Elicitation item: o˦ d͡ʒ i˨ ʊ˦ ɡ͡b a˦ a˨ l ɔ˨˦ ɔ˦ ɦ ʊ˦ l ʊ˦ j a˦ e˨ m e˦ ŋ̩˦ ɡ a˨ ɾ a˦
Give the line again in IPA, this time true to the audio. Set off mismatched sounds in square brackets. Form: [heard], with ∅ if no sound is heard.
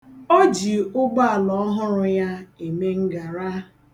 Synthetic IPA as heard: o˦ d͡ʒ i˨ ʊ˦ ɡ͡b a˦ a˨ l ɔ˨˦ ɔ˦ ɦ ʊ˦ [ɾ] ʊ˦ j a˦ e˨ m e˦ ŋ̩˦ ɡ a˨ ɾ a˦

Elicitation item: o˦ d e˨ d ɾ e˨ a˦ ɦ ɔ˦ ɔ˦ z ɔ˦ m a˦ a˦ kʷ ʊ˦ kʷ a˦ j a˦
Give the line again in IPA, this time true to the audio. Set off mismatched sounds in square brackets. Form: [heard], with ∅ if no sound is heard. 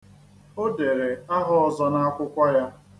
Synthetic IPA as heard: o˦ d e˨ [∅] ɾ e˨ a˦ ɦ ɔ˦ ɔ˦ z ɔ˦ [n] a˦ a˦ kʷ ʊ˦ kʷ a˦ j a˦

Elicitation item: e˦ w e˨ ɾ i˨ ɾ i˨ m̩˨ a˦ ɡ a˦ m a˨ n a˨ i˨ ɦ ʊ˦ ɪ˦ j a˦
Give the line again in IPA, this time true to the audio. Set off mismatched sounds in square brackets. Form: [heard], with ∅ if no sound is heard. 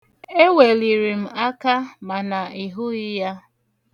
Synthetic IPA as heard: e˦ w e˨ [l] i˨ ɾ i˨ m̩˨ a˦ [k] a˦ m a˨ n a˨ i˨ ɦ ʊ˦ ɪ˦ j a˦

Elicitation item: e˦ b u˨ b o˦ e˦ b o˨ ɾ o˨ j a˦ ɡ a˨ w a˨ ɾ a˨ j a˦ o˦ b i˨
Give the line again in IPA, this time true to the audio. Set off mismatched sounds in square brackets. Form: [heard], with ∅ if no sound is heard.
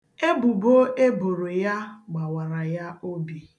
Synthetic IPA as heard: e˦ b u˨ b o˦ e˦ b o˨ ɾ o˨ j a˦ [ɡ͡b] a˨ w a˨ ɾ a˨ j a˦ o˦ b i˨

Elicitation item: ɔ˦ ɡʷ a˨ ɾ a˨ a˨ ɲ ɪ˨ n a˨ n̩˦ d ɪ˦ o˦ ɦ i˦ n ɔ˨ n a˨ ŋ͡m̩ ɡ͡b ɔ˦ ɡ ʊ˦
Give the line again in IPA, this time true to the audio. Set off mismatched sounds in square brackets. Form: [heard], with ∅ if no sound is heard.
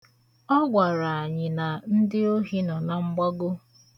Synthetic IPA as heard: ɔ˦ ɡʷ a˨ ɾ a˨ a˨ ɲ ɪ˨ n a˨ n̩˦ d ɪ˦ o˦ ɦ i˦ n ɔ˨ n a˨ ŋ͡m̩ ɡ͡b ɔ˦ ɡ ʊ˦

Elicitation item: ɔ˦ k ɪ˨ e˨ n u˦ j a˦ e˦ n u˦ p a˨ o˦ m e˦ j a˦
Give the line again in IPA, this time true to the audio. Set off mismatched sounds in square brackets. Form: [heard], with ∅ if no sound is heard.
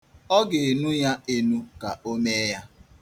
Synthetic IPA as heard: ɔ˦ [ɡ] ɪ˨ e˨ n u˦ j a˦ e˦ n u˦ [k] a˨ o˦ m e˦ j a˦

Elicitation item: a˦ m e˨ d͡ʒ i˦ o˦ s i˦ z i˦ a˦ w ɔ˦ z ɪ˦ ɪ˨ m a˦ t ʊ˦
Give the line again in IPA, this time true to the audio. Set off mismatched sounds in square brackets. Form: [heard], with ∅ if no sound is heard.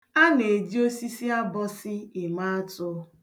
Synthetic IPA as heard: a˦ [n] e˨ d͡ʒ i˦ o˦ s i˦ [s] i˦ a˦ [b] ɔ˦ [s] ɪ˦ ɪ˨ m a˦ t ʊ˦

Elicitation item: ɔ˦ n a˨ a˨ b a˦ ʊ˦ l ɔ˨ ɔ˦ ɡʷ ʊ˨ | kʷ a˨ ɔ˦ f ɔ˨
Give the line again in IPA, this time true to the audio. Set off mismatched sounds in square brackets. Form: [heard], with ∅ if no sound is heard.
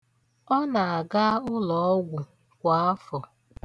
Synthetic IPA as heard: ɔ˦ n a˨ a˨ [ɡ] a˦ ʊ˦ l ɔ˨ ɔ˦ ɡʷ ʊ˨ | kʷ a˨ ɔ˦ f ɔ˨

